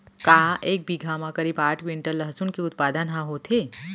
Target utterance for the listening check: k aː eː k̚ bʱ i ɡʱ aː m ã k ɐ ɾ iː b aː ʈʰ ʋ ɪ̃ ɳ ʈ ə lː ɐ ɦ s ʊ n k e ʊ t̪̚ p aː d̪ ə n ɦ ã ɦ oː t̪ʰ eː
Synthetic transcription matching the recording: k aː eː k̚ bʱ i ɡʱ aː m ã k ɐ ɾ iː b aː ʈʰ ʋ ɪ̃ ɳ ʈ ə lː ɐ ɦ s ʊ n k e ʊ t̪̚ p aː d̪ ə n ɦ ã ɦ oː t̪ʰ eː